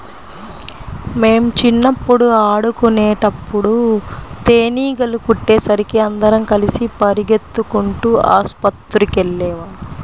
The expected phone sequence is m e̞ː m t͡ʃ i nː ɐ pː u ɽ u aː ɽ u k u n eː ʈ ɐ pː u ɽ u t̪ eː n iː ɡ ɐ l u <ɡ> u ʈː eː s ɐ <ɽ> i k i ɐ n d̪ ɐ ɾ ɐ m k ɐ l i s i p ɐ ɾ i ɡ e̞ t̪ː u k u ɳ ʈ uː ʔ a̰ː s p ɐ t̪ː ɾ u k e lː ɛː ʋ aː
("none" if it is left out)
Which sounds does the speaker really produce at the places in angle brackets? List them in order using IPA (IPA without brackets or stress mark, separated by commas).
k, ɾ